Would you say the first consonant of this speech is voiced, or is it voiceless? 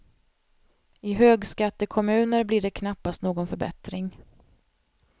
voiced